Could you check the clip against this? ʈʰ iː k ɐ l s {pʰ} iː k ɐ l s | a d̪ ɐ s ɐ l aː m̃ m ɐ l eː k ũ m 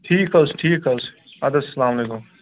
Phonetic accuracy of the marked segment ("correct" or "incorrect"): incorrect